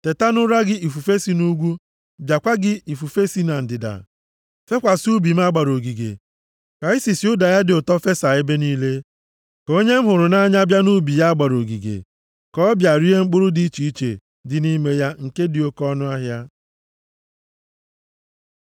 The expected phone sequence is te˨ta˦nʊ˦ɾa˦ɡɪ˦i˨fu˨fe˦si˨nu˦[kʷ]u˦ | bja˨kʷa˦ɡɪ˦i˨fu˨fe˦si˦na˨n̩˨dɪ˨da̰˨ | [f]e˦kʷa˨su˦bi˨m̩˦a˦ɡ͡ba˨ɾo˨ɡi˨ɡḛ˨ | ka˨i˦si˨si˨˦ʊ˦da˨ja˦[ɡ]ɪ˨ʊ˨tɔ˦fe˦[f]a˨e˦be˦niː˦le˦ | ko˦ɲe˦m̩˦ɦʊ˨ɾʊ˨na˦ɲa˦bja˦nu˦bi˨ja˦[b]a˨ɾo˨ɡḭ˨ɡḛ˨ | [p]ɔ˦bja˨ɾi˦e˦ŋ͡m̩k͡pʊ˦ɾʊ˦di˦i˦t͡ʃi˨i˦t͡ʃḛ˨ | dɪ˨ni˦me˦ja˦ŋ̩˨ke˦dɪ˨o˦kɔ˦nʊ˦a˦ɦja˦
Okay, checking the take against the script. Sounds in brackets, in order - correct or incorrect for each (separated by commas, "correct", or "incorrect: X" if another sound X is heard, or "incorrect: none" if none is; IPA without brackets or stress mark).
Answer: incorrect: ɡʷ, correct, incorrect: d, incorrect: s, incorrect: ɡ͡b, incorrect: k